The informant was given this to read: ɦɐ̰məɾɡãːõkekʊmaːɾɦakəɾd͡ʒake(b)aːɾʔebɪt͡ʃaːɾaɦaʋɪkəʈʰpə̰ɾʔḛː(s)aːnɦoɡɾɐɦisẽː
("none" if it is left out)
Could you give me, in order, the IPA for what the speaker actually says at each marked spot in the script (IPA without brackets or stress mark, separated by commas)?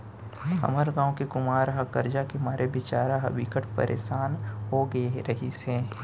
m, ʃ